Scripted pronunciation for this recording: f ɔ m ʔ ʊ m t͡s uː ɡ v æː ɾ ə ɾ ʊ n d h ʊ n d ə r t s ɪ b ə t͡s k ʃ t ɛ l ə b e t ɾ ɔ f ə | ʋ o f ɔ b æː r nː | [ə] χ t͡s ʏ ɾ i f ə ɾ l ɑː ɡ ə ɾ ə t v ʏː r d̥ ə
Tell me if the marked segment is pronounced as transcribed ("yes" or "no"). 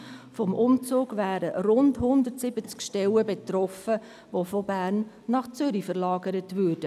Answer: no